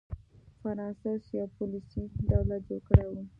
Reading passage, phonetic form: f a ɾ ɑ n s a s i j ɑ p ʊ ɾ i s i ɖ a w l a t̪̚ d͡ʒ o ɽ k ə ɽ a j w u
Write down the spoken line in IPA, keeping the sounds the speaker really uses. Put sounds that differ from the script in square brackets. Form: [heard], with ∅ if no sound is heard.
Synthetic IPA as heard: f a ɾ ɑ n s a s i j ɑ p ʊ [l] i s i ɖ a w l a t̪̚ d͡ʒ o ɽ k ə ɽ a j w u